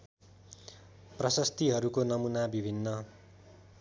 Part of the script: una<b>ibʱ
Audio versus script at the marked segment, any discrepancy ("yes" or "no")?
no